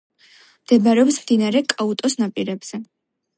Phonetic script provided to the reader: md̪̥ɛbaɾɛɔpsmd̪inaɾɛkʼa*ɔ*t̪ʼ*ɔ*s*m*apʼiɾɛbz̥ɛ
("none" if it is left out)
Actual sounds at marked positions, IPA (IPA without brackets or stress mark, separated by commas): u, ɔ, n